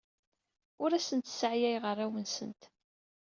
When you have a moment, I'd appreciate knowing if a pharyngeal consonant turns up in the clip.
yes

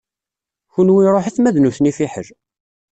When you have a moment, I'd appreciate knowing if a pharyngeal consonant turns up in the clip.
yes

